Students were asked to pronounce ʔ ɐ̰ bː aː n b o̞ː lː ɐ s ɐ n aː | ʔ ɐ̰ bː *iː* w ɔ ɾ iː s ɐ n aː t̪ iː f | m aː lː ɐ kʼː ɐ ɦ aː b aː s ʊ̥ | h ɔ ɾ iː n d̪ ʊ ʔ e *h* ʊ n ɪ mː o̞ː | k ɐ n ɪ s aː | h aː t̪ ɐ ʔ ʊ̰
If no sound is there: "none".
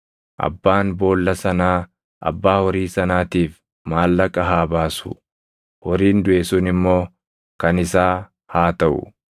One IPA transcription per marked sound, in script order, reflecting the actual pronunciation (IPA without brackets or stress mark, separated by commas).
aː, s